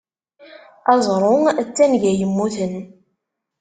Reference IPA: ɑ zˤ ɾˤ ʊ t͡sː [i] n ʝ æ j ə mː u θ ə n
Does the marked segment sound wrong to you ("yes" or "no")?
yes